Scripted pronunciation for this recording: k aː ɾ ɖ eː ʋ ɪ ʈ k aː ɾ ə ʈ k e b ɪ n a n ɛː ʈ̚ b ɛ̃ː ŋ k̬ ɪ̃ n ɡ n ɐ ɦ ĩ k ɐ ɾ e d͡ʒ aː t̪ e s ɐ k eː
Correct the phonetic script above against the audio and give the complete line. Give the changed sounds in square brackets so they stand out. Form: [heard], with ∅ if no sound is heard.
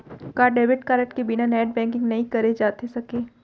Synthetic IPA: k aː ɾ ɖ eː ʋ ɪ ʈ k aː ɾ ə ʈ k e b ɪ n a n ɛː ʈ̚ b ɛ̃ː ŋ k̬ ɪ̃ [ŋ] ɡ n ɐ ɦ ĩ k ɐ ɾ e d͡ʒ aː t̪ e s ɐ k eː